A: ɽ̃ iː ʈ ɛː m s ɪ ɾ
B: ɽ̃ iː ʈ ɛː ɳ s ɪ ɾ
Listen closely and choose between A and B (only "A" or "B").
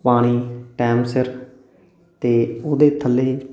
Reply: A